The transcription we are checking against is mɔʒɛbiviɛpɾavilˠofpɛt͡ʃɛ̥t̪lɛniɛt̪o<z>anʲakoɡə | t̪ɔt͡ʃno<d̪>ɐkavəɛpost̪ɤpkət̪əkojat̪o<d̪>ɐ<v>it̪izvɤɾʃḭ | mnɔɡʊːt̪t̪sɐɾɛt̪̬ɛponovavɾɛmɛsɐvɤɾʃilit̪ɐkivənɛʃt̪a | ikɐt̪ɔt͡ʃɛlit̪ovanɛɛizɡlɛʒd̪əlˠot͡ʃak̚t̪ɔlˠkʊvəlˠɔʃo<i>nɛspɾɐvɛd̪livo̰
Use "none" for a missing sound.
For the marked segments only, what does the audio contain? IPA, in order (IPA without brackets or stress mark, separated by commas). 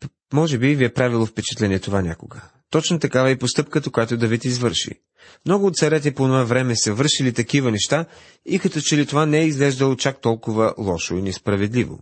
v, t̪, d̪, v, i